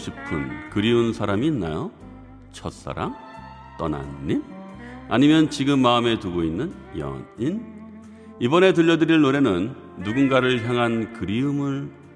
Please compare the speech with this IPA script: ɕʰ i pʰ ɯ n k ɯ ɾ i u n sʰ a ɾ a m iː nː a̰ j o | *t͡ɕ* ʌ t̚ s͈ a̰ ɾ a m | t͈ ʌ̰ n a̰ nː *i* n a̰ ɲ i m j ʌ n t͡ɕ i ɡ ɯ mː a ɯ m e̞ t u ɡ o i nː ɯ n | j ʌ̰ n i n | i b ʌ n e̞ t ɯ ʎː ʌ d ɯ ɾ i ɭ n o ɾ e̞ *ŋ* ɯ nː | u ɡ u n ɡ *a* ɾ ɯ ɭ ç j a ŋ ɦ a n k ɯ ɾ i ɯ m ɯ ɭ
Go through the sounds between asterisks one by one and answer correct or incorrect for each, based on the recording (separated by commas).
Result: incorrect, correct, incorrect, correct